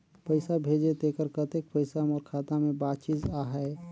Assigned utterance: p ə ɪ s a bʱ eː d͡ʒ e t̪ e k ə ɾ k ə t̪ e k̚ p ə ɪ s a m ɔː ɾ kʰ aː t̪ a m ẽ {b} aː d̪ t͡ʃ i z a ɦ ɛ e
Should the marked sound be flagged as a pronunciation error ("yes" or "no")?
no